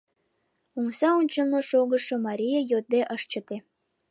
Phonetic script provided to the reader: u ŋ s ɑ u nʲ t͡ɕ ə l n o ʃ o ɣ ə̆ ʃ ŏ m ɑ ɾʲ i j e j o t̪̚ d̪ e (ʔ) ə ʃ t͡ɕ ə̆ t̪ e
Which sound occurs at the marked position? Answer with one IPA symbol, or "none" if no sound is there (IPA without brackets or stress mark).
ʔ